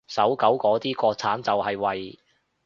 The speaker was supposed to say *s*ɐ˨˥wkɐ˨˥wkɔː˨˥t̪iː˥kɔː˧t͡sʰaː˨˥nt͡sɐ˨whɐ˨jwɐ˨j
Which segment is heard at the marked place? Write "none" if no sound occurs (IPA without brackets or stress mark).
s